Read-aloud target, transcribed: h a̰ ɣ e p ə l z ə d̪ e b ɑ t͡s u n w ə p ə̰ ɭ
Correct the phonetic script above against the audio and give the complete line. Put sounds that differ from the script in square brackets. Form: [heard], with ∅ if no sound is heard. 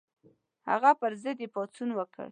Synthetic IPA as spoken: h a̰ ɣ [a] p ə [ɾ] z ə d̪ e [p] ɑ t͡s u n w ə [k] ə̰ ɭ